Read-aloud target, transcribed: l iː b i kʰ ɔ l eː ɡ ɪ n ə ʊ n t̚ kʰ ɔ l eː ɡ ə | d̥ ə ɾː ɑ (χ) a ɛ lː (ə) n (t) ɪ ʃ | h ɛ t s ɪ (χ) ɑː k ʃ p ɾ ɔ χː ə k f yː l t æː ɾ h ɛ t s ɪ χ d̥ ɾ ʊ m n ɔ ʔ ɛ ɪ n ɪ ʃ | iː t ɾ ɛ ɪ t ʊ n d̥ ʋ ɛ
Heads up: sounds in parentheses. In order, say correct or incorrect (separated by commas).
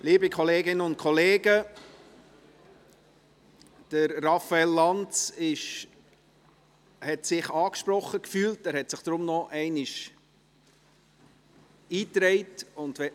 incorrect, incorrect, incorrect, correct